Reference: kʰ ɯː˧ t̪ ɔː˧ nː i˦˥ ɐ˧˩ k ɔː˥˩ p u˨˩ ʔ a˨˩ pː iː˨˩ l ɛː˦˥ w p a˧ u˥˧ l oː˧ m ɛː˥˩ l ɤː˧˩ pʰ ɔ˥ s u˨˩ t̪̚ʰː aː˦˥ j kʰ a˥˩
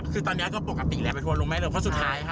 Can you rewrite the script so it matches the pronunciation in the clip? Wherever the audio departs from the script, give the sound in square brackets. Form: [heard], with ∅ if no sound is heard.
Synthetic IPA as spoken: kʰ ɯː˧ t̪ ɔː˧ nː i˦˥ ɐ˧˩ k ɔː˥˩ p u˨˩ [k] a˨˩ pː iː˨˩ l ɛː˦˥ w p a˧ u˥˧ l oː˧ m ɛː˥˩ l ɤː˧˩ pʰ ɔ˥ s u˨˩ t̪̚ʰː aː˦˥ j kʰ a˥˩